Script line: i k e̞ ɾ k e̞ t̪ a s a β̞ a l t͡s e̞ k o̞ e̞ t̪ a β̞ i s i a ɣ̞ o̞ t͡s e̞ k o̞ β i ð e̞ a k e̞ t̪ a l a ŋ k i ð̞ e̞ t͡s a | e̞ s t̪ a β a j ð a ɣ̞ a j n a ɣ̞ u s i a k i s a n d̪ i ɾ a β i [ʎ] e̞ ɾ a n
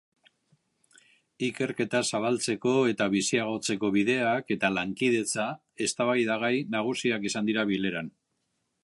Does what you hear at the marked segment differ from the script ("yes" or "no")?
yes